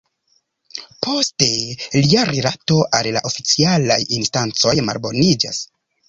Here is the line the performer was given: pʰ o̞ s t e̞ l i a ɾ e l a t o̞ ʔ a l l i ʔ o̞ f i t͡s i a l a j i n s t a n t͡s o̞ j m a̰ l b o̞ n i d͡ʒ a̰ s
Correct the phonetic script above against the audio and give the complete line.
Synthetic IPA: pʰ o̞ s t e̞ l i a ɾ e l a t o̞ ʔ a l l a ʔ o̞ f i t͡s i a l a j i n s t a n t͡s o̞ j m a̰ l b o̞ n i d͡ʒ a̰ s